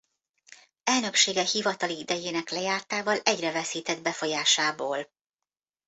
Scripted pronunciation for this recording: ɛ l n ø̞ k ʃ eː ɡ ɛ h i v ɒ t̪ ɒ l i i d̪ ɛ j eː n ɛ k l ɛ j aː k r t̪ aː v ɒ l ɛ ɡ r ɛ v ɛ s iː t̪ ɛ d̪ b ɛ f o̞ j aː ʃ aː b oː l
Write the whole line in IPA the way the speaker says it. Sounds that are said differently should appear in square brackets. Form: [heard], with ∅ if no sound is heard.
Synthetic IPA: ɛ l n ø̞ k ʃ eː ɡ ɛ h i v ɒ t̪ ɒ l i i d̪ ɛ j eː n ɛ k l ɛ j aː [∅] r t̪ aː v ɒ l ɛ [ɟ] r ɛ v ɛ s iː t̪ ɛ d̪ b ɛ f o̞ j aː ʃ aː b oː l